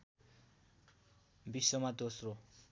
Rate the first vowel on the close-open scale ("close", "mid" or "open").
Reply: close